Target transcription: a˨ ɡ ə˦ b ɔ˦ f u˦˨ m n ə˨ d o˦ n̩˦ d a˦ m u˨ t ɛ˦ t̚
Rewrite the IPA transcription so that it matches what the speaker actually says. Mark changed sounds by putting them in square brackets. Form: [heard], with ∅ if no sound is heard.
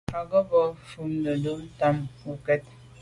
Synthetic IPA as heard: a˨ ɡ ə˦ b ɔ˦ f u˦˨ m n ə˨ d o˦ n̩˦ [t] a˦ m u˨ [k] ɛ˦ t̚